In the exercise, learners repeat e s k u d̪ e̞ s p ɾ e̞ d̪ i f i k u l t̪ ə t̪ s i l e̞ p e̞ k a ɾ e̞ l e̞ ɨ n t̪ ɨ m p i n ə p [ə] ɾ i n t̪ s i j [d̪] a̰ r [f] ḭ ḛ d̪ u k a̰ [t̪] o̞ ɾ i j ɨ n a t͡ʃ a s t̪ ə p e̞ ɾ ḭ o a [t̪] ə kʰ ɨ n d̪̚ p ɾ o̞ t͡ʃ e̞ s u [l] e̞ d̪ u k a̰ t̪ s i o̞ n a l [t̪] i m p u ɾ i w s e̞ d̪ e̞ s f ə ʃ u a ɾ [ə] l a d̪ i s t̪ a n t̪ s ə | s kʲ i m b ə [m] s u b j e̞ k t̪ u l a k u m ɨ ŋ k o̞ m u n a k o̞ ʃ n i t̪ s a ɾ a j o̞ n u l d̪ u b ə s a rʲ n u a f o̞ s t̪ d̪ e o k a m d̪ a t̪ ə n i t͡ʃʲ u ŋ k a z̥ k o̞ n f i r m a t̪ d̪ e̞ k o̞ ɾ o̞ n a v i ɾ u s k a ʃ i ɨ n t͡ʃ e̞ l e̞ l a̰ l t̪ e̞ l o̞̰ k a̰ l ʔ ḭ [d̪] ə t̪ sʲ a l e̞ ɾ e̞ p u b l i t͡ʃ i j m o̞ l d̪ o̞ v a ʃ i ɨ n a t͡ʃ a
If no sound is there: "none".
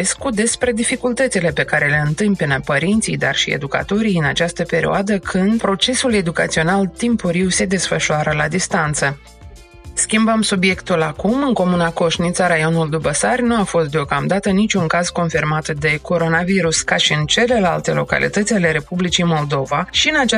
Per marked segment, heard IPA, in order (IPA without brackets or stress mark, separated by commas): ə, d̪, ʃ, t̪, d̪, l, t̪, ə, m, t̪